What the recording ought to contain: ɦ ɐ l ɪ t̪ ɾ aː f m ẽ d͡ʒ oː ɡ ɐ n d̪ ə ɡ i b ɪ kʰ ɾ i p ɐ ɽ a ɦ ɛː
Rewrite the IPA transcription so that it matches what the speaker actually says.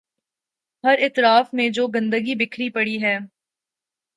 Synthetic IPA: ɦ ɐ ɾ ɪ t̪ ɾ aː f m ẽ d͡ʒ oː ɡ ɐ̃ n d̪ ə ɡ i b ɪ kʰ ɾ i p ɐ ɽ i ɦ ɛː